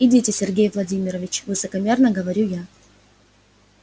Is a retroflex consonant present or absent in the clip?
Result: absent